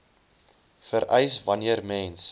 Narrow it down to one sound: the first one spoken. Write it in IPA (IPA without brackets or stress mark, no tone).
f